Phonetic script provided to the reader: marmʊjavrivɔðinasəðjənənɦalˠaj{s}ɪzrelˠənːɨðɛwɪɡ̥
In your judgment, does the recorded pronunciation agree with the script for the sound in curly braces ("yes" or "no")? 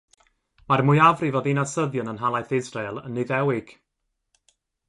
no